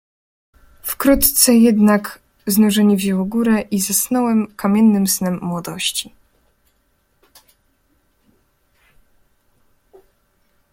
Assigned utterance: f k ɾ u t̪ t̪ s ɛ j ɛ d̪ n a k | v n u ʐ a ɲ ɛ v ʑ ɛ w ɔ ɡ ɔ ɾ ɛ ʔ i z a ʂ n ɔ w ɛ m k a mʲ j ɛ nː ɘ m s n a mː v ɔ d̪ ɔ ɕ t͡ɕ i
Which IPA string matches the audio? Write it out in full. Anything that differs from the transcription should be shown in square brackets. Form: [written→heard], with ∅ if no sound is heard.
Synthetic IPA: f k ɾ u t̪ t̪ s ɛ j ɛ d̪ n a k | [v→z] n u ʐ [a→ɛ] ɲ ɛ v ʑ ɛ w ɔ ɡ [ɔ→u] ɾ ɛ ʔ i z a [ʂ→s] n ɔ w ɛ m k a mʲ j ɛ nː ɘ m s n [a→ɛ] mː [v→w] ɔ d̪ ɔ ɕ t͡ɕ i